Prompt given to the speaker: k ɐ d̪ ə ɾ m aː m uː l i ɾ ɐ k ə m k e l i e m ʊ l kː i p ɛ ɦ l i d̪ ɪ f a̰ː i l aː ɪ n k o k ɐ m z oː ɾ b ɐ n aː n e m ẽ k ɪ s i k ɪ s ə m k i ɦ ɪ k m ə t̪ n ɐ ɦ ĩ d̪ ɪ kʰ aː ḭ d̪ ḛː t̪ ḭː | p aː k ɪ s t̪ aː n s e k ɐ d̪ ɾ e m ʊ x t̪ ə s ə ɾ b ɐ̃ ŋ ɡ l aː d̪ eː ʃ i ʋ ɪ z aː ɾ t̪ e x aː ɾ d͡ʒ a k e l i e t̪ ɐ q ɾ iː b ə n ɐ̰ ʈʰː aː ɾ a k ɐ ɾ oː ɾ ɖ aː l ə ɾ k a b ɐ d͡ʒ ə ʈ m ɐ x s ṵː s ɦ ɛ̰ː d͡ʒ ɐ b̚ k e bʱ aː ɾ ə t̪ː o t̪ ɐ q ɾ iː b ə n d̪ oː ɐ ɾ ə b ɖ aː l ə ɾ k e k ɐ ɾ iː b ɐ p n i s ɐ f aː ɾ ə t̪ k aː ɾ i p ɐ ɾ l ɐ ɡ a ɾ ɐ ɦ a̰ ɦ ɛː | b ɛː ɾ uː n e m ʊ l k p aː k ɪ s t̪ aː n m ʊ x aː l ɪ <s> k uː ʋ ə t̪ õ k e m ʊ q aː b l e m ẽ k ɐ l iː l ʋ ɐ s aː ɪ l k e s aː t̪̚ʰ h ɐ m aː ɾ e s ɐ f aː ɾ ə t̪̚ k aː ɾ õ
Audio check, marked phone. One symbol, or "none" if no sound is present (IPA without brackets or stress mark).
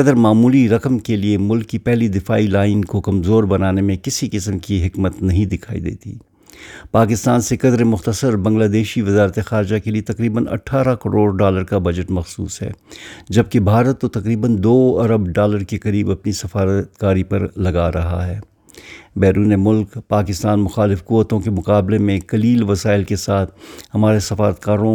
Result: f